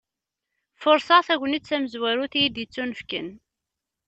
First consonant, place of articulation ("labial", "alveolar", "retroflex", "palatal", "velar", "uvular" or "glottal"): labial